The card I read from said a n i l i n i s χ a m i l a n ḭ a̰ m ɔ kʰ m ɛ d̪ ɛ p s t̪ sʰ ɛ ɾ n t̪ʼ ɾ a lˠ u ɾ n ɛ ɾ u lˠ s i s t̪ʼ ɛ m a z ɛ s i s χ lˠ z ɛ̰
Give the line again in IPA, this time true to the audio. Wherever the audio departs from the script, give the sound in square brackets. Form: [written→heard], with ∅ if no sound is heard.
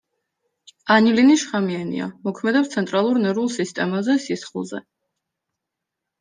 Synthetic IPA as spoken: a n i l i n i [s→ʃ] χ a m i [l→∅] a n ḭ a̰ m ɔ kʰ m ɛ d̪ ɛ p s t̪ sʰ ɛ [ɾ→∅] n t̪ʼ ɾ a lˠ u ɾ n ɛ ɾ u lˠ s i s t̪ʼ ɛ m a z ɛ s i s χ lˠ z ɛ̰